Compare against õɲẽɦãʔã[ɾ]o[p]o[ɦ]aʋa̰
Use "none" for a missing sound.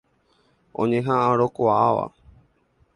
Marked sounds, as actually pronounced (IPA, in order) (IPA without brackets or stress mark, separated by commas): ɾ, k, none